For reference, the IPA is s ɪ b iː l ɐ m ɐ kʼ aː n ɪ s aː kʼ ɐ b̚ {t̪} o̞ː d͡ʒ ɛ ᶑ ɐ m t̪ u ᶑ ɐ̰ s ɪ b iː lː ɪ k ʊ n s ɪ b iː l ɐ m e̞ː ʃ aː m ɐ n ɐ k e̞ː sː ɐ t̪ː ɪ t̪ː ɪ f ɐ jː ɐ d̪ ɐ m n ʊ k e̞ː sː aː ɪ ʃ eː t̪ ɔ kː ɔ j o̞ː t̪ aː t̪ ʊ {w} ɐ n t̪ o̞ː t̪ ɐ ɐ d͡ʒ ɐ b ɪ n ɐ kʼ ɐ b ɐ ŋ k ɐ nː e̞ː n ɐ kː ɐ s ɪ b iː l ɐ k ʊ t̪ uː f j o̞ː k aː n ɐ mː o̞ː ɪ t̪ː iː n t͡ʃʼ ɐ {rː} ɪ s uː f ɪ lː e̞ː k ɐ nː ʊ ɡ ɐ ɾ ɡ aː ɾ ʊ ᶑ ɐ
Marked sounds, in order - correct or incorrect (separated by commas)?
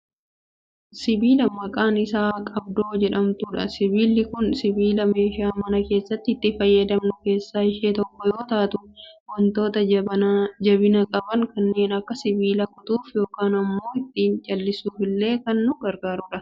incorrect, correct, incorrect